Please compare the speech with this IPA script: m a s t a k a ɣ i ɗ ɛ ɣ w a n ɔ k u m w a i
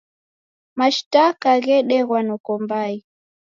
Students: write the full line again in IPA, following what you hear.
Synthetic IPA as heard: m a ʃ t a k a ɣ ɛ ɗ ɛ ɣ w a n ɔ k ɔ m b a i